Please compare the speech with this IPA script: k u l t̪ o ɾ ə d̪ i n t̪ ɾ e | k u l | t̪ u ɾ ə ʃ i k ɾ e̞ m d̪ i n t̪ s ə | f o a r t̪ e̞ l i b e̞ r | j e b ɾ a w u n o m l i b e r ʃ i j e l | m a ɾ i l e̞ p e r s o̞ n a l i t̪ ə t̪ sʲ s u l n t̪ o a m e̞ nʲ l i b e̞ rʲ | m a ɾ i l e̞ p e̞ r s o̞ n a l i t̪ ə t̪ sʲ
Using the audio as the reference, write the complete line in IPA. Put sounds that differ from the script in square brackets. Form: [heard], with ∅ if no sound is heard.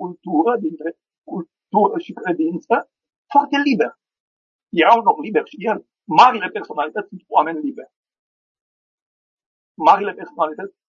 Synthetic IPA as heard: k u l t̪ [u] ɾ ə d̪ i n t̪ ɾ e | k u l | t̪ u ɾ ə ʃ i k ɾ e̞ [∅] d̪ i n t̪ s ə | f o a r t̪ e̞ l i b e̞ r | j e [∅] ɾ a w u n o m l i b e r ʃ i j e l | m a ɾ i l e̞ p e r s o̞ n a l i t̪ ə t̪ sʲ s u [∅] n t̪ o a m e̞ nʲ l i b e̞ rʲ | m a ɾ i l e̞ p e̞ r s o̞ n a l i t̪ ə t̪ sʲ